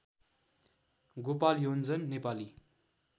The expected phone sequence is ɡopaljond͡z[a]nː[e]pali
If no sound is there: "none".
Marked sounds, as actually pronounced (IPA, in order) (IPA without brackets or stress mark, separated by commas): ʌ, e